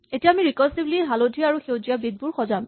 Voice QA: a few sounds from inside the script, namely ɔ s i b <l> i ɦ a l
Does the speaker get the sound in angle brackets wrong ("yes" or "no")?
no